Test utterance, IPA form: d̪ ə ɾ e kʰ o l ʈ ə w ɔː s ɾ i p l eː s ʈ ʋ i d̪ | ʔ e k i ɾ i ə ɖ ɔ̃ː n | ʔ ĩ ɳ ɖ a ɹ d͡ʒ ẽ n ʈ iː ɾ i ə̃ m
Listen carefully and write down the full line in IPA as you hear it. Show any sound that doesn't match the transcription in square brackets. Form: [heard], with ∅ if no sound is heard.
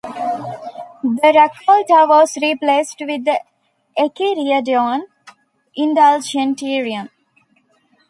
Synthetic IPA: d̪ ə ɾ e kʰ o l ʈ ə [ʋ] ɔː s ɾ i p l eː s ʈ ʋ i d̪ | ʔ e k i ɾ i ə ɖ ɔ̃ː n | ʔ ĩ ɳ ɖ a [l] d͡ʒ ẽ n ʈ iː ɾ i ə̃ m